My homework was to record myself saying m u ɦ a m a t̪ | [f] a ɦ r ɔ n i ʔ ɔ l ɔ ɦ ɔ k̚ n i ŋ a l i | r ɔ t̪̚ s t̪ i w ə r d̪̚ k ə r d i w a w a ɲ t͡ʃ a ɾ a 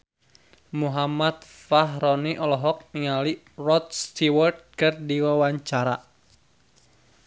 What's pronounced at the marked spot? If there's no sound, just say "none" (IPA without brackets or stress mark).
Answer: f